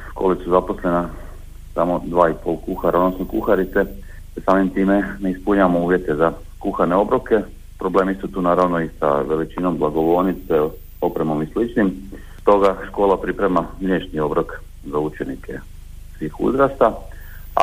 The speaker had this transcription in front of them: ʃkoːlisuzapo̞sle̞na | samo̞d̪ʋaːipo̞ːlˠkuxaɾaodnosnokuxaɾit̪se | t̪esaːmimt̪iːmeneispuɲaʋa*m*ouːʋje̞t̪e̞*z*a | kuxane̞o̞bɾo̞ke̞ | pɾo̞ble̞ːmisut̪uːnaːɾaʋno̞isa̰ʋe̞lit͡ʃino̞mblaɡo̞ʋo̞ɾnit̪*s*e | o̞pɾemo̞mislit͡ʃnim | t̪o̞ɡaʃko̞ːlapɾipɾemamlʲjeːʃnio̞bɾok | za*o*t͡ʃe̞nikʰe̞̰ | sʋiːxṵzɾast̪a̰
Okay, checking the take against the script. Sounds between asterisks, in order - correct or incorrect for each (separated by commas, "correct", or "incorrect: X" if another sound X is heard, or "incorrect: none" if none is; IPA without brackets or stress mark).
correct, correct, correct, incorrect: u